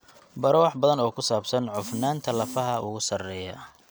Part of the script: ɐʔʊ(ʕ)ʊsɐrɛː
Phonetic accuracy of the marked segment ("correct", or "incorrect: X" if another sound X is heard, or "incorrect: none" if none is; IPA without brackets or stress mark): incorrect: ɣ